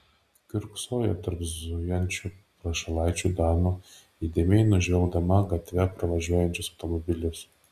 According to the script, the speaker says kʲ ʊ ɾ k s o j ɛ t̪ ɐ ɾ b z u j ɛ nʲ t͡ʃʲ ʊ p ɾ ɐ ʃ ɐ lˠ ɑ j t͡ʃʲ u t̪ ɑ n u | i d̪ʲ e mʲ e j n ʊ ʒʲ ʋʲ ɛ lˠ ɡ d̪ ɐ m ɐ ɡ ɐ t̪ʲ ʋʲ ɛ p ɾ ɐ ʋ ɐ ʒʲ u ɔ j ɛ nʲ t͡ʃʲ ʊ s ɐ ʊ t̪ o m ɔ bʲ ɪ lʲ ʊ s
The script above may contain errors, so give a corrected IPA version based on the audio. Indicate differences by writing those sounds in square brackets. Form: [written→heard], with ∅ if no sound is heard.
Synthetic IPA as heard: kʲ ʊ ɾ k s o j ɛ t̪ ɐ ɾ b z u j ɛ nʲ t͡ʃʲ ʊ p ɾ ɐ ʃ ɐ lˠ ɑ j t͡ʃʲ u [t̪→d̪] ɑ n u | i d̪ʲ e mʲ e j n ʊ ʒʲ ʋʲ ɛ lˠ ɡ d̪ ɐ m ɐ ɡ ɐ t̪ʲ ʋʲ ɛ p ɾ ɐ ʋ ɐ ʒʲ u ɔ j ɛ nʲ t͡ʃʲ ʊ s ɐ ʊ t̪ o m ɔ bʲ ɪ lʲ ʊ s